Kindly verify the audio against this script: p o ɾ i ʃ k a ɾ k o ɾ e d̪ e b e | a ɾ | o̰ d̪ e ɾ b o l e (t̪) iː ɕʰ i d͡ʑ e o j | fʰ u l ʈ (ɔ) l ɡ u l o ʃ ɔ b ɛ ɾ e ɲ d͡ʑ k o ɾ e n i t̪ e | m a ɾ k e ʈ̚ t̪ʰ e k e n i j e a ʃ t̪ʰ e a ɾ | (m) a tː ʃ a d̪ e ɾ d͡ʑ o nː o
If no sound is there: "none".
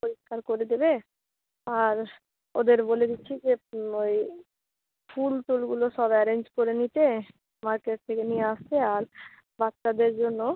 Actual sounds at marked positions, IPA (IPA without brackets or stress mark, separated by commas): d̪, u, b